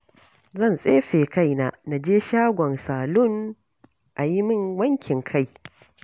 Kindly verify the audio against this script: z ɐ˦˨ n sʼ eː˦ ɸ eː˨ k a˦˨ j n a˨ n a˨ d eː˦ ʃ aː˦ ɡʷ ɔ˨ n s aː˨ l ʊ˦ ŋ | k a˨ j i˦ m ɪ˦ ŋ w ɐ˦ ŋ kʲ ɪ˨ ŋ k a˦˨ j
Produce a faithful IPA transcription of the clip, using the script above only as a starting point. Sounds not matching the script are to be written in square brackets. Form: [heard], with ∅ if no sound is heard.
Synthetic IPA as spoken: z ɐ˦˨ n sʼ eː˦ ɸ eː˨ k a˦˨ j n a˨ n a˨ [d͡ʒ] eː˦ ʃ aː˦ ɡʷ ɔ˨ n s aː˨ l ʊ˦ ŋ | [ʔ] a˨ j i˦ m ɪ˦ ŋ w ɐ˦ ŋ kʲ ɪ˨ ŋ [kʰ] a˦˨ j

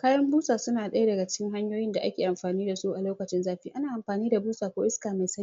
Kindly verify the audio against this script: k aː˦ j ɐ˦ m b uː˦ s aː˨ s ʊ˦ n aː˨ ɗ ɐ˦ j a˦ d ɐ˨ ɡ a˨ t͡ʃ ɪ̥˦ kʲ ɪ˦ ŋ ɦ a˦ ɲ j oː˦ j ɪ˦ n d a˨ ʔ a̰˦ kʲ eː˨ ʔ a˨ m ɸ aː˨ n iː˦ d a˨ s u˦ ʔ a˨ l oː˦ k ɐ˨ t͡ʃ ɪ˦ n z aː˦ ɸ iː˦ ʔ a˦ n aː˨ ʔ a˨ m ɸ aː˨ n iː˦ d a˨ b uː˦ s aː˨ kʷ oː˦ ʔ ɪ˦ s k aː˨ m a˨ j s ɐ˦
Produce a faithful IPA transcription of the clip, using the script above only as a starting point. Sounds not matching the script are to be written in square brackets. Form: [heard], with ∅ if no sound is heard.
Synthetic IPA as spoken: k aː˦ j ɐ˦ m b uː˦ s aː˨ s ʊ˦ n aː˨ ɗ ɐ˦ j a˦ d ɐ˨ ɡ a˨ t͡ʃ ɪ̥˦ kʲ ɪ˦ ŋ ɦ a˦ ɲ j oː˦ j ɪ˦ n d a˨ ʔ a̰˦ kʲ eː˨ ʔ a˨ m ɸ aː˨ n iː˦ d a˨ s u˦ ʔ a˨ l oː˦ k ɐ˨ t͡ʃ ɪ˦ n z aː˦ ɸ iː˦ ʔ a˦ n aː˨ ʔ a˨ m ɸ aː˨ n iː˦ d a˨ b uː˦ s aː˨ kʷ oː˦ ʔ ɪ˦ s k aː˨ m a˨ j s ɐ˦

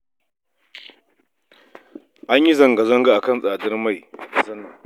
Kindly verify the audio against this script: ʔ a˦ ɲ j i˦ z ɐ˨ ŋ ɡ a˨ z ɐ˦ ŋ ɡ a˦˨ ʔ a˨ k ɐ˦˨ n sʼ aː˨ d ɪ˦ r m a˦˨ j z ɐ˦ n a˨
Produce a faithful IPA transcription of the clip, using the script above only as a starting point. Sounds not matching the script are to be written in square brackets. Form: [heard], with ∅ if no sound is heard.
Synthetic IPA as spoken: ʔ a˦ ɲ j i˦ z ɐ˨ ŋ ɡ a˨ z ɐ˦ ŋ ɡ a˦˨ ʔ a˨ k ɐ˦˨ n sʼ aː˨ d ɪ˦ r m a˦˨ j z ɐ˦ n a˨

